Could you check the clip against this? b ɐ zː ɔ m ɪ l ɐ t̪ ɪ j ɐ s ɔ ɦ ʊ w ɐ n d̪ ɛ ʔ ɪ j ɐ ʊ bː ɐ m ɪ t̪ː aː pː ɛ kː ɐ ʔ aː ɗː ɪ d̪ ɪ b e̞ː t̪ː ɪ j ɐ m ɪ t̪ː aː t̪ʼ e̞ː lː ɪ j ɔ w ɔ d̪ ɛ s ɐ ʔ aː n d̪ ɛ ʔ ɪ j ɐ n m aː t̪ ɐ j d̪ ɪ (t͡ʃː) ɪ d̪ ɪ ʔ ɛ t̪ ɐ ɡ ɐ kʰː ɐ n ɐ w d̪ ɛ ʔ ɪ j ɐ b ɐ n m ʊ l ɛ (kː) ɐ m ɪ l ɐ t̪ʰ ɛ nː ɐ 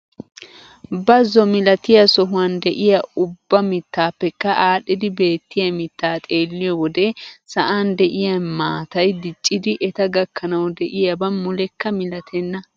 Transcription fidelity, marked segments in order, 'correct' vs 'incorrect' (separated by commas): incorrect, correct